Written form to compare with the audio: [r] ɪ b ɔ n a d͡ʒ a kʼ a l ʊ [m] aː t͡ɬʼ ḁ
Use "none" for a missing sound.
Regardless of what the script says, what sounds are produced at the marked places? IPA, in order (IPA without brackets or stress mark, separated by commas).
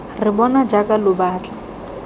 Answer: r, b